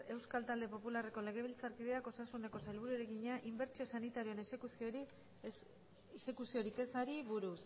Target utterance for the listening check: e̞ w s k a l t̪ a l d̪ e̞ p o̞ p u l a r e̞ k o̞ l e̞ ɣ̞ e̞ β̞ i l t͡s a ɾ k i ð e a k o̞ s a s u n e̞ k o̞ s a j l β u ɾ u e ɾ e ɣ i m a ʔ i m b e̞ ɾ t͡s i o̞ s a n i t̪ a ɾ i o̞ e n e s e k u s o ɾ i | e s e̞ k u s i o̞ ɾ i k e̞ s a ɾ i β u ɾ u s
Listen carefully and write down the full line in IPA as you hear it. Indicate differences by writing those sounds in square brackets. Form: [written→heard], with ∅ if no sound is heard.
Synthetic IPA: e̞ w s k a l t̪ a l d̪ e̞ p o̞ p u l a r e̞ k o̞ l e̞ ɣ̞ e̞ β̞ i l t͡s a ɾ k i ð e a k o̞ s a s u n e̞ k o̞ s a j l β u ɾ u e ɾ e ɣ i [m→ɲ] a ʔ i m b e̞ ɾ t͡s i o̞ s a n i t̪ a ɾ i o̞ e n e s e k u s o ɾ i | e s e̞ k u s i o̞ ɾ i k e̞ s a ɾ i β u ɾ u s